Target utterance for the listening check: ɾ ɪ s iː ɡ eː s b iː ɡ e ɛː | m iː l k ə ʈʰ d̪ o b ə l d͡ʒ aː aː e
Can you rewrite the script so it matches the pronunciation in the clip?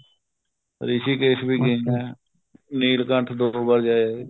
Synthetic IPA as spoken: ɾ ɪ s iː k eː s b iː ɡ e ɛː | n iː l k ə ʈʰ d̪ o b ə ɾ d͡ʒ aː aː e